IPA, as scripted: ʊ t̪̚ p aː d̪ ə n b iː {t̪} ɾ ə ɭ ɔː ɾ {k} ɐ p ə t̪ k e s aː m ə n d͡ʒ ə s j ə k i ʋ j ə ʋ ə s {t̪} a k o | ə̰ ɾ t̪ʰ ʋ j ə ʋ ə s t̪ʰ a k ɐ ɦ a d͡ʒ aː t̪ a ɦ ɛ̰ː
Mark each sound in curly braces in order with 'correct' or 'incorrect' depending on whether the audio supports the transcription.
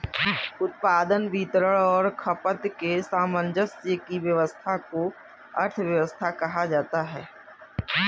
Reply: correct, incorrect, incorrect

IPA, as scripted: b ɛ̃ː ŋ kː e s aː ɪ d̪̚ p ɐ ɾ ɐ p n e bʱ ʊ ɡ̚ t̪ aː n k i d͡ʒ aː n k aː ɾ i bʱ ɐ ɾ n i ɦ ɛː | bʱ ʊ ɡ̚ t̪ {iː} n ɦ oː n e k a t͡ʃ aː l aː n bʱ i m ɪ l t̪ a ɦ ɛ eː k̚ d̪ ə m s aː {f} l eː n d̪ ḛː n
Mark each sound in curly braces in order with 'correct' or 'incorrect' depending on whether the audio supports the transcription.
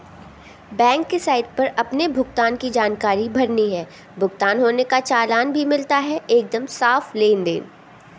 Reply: incorrect, correct

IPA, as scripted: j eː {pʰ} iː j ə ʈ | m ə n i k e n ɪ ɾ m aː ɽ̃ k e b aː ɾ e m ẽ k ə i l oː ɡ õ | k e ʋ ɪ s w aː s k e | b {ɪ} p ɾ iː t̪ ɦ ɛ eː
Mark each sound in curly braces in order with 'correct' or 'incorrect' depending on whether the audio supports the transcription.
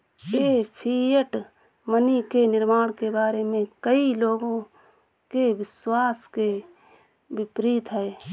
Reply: correct, correct

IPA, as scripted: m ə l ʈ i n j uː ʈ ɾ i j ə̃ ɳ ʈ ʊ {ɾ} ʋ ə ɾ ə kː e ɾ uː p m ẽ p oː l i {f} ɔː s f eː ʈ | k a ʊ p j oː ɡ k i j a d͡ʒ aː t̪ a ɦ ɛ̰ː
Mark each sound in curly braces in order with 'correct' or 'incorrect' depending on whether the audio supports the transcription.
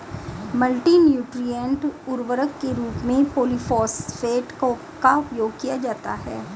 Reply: correct, correct

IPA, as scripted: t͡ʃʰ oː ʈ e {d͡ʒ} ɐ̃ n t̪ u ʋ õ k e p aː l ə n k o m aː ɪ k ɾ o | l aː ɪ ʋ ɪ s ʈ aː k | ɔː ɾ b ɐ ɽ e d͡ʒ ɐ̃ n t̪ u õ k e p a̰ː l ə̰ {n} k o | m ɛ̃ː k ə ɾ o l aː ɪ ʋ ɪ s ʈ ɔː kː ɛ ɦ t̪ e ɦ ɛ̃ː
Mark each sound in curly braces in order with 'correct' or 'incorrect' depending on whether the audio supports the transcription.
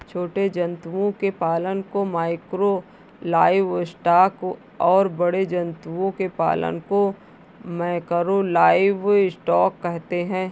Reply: correct, correct

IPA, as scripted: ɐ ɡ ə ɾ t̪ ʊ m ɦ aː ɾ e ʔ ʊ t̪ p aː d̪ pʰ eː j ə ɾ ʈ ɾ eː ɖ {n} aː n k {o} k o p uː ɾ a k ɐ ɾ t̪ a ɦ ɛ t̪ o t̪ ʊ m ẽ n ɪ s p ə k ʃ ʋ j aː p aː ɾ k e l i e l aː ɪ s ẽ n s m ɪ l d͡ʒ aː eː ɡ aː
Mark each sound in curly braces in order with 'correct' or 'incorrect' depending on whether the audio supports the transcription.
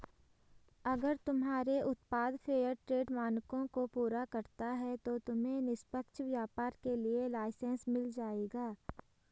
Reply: incorrect, incorrect

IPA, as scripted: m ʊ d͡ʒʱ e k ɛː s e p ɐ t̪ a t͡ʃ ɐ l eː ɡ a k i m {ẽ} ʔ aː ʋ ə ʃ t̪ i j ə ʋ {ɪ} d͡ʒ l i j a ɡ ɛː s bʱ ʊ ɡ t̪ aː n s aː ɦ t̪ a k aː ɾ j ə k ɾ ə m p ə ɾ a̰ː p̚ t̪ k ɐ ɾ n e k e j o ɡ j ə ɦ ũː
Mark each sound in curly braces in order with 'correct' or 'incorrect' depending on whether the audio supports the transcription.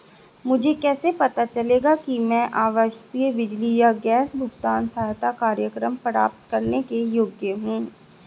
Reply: incorrect, correct

